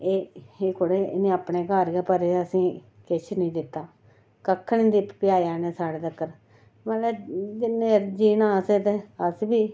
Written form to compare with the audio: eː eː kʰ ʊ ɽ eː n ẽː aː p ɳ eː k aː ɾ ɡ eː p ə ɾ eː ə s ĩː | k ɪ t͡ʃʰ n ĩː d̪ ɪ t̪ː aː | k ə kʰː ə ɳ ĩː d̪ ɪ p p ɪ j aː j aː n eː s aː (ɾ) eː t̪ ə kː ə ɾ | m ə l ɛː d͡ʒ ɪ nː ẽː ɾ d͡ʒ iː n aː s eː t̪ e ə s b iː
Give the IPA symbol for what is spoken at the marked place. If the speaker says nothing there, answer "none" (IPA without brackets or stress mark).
ɽ